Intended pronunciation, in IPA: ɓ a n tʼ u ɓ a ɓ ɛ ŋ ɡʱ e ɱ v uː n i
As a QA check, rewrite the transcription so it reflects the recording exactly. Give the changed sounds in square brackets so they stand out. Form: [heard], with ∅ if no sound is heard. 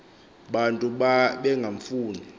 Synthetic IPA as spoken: ɓ a n tʼ u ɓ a ɓ ɛ ŋ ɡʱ [a] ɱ [f] uː n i